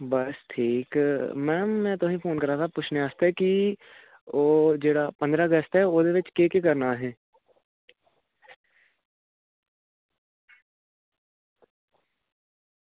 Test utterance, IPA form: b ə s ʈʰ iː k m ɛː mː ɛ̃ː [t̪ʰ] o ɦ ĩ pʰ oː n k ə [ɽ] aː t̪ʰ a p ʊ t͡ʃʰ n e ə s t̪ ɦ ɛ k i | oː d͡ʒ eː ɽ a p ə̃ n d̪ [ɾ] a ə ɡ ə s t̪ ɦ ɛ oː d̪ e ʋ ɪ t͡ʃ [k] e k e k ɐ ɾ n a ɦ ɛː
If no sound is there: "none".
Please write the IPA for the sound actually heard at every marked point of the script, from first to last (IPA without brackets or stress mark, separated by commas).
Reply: t̪, ɾ, ɾ, k